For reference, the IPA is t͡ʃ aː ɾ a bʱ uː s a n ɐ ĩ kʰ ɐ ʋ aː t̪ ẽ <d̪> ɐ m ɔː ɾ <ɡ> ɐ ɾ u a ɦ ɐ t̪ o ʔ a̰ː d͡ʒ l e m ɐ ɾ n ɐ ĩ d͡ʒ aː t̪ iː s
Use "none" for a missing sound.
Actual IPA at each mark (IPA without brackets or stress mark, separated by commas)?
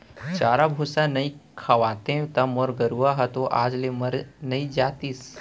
t̪, ɡ